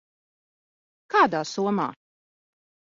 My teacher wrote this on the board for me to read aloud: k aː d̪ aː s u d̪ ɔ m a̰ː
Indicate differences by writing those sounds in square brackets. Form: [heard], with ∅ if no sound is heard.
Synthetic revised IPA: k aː d̪ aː s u [∅] ɔ m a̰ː